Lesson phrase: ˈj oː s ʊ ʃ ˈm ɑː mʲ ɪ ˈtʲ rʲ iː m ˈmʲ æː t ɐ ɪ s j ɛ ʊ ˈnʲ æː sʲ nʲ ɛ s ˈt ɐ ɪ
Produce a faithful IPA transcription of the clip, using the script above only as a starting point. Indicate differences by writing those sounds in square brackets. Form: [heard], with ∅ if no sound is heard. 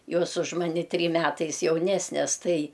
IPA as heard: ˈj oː s ʊ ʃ ˈm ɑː [nʲ] ɪ ˈtʲ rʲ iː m ˈmʲ æː t ɐ ɪ s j ɛ ʊ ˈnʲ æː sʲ nʲ ɛ s ˈt ɐ ɪ